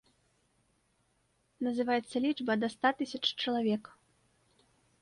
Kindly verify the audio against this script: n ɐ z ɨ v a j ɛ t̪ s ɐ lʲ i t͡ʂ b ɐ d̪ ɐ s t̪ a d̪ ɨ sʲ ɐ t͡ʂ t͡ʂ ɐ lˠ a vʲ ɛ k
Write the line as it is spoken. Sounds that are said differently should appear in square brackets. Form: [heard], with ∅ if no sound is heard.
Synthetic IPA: n ɐ z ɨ v a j ɛ t̪ [sː] ɐ lʲ i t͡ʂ b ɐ d̪ ɐ s t̪ a [t̪] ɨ sʲ ɐ t͡ʂ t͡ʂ ɐ lˠ a vʲ ɛ k